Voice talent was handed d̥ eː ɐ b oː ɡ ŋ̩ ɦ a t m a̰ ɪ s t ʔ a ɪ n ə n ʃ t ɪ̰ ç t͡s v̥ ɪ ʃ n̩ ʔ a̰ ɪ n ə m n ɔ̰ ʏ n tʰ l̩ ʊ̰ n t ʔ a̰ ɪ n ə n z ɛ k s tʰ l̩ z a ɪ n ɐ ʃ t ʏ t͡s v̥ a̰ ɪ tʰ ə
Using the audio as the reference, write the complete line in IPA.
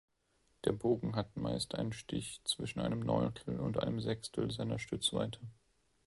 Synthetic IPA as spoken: d̥ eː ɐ b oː ɡ ŋ̩ ɦ a t m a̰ ɪ s t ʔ a ɪ n ə n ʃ t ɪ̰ ç t͡s v̥ ɪ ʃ n̩ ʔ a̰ ɪ n ə m n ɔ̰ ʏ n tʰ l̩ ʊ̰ n t ʔ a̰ ɪ n ə m z ɛ k s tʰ l̩ z a ɪ n ɐ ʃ t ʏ t͡s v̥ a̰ ɪ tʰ ə